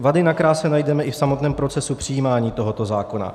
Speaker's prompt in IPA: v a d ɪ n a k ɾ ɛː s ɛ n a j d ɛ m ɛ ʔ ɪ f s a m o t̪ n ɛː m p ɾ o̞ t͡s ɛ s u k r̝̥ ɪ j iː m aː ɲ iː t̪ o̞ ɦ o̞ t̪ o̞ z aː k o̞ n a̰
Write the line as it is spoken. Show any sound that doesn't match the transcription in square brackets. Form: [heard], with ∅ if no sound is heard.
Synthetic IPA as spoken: v a d ɪ n a k ɾ [aː] s ɛ n a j d ɛ m ɛ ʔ ɪ f s a m o t̪ n ɛː m p ɾ o̞ t͡s ɛ s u [p] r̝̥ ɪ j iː m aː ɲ iː t̪ o̞ ɦ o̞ t̪ o̞ z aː k o̞ n a̰

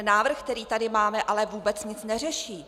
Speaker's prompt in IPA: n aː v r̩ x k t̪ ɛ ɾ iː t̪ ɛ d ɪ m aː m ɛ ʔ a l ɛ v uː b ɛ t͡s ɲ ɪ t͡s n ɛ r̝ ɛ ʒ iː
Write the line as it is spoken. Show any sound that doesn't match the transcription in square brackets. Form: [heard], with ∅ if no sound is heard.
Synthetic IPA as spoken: n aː v r̩ x k t̪ ɛ ɾ iː t̪ [a] d ɪ m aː m ɛ ʔ a l ɛ v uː b ɛ t͡s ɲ ɪ t͡s n ɛ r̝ ɛ [ʃ] iː

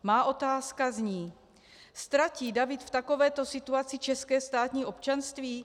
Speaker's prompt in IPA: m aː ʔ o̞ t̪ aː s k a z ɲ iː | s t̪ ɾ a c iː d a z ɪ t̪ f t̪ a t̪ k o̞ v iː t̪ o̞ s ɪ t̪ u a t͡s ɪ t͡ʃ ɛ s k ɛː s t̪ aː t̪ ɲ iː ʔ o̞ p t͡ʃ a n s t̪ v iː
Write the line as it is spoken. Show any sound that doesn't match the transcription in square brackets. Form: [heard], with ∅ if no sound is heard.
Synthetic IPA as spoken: m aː ʔ o̞ t̪ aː s k a z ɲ iː | s t̪ ɾ a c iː d a [v] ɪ t̪ f t̪ a [∅] k o̞ v [ɛː] t̪ o̞ s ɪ t̪ u a t͡s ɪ t͡ʃ ɛ s k ɛː s t̪ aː t̪ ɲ iː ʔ o̞ p t͡ʃ a n s t̪ v iː

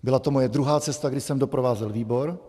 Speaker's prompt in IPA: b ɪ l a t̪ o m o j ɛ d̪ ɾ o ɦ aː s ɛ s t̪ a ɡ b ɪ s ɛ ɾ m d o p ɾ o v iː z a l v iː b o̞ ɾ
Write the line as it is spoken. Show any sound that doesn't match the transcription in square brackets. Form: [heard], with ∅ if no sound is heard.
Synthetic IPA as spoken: b ɪ l a t̪ o m o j ɛ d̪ ɾ [u] ɦ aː [t͡s] ɛ s t̪ a ɡ [d] ɪ s ɛ [∅] m d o p ɾ o v [aː] z [ɛ] l v iː b o̞ ɾ

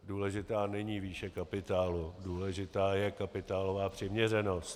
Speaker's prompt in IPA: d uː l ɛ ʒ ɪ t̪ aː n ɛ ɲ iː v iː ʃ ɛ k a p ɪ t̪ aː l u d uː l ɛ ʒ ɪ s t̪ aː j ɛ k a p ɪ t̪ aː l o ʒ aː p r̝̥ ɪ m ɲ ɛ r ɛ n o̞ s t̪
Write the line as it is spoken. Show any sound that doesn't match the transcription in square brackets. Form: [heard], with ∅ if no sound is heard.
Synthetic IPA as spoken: d uː l ɛ ʒ ɪ t̪ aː n ɛ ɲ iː v iː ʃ ɛ k a p ɪ t̪ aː l u d uː l ɛ ʒ ɪ [∅] t̪ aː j ɛ k a p ɪ t̪ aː l o [v] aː p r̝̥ ɪ m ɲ ɛ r ɛ n o̞ s t̪

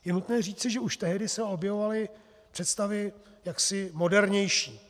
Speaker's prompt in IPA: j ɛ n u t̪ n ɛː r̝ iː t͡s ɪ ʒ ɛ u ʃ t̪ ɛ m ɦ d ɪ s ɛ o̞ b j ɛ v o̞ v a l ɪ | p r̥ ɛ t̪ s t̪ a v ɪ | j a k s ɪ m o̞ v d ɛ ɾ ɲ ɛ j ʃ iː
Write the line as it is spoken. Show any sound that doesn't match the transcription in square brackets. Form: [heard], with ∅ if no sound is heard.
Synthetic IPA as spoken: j ɛ n u t̪ n ɛː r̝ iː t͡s ɪ ʒ ɛ u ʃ t̪ ɛ [∅] ɦ d ɪ s ɛ o̞ b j ɛ v o̞ v a l ɪ | p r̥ ɛ t̪ s t̪ a v ɪ | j a k s ɪ m o̞ [∅] d ɛ ɾ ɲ ɛ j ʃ iː

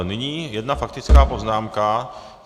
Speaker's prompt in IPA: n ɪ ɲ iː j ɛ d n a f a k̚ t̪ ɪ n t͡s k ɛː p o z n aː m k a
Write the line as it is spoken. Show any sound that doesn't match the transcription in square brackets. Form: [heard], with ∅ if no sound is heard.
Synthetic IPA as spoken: n ɪ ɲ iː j ɛ d n a f a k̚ t̪ ɪ [∅] t͡s k [aː] p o z n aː m k a

